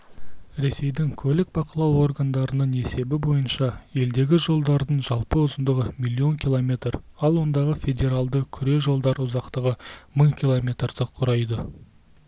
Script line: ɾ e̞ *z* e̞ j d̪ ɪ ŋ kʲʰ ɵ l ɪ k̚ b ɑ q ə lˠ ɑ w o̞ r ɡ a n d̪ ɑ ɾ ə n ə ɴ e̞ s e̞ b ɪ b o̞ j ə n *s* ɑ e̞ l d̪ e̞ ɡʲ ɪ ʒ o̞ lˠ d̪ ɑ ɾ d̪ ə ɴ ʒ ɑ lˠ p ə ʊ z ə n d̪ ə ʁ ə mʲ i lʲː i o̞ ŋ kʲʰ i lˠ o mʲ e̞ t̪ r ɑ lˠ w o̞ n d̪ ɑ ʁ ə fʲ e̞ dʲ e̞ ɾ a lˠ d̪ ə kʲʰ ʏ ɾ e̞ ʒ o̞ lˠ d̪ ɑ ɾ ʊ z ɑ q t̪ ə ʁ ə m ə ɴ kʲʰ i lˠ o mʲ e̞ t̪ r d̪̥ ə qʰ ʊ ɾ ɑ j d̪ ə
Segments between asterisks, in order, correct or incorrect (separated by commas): incorrect, incorrect